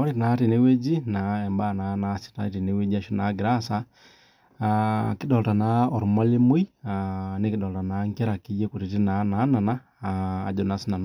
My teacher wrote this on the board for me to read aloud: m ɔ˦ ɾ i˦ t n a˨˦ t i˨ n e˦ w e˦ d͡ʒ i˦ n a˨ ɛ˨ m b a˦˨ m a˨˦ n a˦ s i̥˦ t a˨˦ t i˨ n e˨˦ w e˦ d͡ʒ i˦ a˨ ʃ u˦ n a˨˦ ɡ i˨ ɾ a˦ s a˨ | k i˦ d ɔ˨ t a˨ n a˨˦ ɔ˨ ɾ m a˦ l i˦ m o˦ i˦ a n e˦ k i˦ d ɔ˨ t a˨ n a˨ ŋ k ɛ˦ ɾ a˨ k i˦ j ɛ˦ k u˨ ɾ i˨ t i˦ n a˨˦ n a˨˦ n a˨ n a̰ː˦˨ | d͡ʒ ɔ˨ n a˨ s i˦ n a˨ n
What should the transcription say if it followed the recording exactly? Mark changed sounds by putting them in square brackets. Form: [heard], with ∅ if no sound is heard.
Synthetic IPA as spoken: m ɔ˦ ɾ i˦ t n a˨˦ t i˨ n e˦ w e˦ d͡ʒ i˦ n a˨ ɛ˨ m b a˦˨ [n] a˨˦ n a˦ s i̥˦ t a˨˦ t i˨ n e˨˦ w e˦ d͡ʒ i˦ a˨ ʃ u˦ n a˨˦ ɡ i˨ ɾ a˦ s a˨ | k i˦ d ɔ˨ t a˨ n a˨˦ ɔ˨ ɾ m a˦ l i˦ m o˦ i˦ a n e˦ k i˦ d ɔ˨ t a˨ n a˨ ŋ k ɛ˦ ɾ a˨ k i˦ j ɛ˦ k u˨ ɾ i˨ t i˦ n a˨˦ n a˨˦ n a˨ n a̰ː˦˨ | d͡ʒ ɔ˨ n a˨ s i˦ n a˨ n